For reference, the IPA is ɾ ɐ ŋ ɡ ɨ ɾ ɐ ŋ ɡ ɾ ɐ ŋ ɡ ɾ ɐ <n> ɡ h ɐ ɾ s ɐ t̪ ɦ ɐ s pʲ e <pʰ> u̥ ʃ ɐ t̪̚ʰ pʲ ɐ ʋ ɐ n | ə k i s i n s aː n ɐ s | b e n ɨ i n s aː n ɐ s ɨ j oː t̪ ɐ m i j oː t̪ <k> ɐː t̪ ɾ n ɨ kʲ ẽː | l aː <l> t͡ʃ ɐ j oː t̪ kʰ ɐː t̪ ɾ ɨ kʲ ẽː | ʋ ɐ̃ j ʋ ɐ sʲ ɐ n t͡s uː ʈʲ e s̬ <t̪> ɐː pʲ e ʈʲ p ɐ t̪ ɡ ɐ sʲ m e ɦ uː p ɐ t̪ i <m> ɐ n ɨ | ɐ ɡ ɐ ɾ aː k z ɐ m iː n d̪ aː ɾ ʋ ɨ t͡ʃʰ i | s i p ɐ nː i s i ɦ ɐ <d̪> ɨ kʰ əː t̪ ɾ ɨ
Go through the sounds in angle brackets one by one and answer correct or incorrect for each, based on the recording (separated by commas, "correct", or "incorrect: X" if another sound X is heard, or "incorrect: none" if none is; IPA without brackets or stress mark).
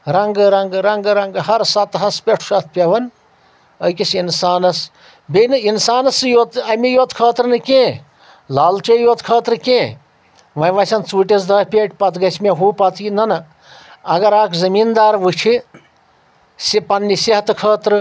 incorrect: ŋ, incorrect: ʈʰ, incorrect: kʰ, correct, incorrect: d̪, incorrect: n, incorrect: t̪